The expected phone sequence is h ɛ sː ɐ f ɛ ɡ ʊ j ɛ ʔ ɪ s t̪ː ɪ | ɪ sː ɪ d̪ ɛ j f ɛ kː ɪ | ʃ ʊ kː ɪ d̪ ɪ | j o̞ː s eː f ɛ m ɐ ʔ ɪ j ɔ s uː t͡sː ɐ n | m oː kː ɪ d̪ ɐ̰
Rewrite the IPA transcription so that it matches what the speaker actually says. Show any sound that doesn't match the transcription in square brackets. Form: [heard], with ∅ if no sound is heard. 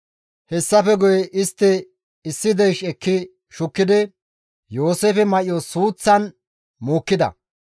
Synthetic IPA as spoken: h ɛ sː ɐ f ɛ ɡ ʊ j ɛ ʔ ɪ s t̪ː ɪ | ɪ sː ɪ d̪ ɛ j [ʃ] ɛ kː ɪ | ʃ ʊ kː ɪ d̪ ɪ | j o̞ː s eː f ɛ m ɐ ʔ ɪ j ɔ s uː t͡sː ɐ n | m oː kː ɪ d̪ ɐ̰